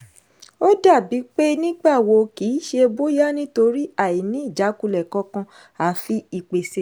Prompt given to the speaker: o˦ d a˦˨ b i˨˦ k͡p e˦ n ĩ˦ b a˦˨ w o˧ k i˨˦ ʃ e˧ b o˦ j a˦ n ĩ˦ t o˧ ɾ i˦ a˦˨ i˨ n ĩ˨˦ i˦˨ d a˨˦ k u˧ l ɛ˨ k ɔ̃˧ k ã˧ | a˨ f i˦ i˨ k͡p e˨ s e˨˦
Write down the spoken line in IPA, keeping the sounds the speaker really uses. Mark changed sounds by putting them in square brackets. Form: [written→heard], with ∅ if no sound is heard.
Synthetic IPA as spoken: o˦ d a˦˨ b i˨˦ k͡p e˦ n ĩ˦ [b→ɡ͡b] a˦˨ w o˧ k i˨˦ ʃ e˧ b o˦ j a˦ n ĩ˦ t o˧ ɾ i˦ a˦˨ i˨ n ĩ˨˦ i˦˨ [d→d͡ʒ] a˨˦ k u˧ l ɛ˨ k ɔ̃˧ k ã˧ | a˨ f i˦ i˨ k͡p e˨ s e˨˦

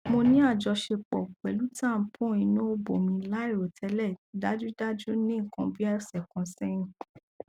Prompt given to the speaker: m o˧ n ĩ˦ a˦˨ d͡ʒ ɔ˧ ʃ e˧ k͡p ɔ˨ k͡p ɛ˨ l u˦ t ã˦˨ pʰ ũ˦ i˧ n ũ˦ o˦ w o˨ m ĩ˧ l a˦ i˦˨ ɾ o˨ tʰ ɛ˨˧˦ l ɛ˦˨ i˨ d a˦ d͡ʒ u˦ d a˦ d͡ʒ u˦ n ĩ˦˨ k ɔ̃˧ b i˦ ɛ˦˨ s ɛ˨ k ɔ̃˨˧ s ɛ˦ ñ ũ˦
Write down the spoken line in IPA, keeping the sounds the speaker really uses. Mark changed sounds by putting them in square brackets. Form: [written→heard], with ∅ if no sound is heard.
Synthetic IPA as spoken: m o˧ n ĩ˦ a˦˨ d͡ʒ ɔ˧ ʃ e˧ k͡p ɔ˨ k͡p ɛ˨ l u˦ t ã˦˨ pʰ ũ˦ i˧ n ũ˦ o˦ [w→b] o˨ m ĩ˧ l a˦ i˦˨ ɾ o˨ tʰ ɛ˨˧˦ l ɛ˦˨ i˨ d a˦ d͡ʒ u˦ d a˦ d͡ʒ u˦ n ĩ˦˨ k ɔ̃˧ b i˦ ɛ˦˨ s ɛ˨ k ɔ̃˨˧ s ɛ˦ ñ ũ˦

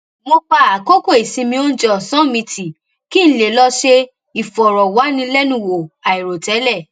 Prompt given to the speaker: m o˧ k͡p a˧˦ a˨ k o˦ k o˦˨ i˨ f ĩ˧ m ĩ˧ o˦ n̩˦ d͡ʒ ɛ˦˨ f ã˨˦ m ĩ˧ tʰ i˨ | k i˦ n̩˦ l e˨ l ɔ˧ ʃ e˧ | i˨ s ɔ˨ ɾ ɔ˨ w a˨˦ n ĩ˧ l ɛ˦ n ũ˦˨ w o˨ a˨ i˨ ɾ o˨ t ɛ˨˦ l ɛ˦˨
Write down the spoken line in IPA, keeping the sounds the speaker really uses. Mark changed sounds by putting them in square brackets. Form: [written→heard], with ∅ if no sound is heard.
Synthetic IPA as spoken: m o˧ k͡p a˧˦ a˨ k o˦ k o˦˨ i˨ [f→s] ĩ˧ m ĩ˧ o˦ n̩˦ d͡ʒ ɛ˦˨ [f→s] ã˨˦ m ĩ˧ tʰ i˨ | k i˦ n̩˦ l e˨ l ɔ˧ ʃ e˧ | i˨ [s→f] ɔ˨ ɾ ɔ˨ w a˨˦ n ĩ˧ l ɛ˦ n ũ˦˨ w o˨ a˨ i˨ ɾ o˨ t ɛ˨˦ l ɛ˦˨

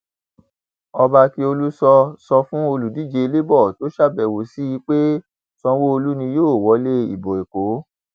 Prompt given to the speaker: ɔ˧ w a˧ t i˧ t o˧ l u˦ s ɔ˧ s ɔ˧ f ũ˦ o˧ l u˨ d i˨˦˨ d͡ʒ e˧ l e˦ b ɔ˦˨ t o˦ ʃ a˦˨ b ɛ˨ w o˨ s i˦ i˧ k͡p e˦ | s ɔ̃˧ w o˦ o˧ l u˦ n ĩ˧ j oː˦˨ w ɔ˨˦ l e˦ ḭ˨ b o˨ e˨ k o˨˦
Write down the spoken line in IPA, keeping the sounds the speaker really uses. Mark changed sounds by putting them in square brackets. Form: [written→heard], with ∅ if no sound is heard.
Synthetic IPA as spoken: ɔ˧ [w→b] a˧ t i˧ [t→∅] o˧ l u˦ s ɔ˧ s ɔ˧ f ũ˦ o˧ l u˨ d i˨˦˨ d͡ʒ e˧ l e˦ b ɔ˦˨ t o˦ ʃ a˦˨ b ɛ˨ w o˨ s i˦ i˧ k͡p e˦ | s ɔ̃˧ w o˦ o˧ l u˦ n ĩ˧ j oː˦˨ w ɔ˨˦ l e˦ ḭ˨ b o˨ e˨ k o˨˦

